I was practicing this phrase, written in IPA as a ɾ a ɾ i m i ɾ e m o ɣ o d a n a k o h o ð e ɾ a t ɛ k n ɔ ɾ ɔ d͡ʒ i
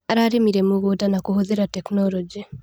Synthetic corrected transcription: a ɾ a ɾ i m i ɾ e m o ɣ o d a n a k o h o ð e ɾ a t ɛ k n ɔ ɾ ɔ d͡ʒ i